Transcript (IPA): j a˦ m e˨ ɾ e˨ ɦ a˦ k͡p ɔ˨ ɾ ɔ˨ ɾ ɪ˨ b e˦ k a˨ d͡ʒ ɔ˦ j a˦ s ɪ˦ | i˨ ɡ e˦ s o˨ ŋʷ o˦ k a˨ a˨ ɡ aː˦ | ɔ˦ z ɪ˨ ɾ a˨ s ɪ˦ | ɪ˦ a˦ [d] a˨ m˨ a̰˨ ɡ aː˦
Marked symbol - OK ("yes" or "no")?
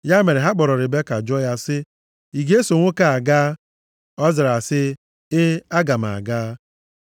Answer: no